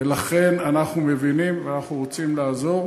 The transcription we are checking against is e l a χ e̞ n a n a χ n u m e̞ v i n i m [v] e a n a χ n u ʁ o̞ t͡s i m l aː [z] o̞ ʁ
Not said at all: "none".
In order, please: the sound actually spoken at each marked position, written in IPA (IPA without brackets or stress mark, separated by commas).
v, z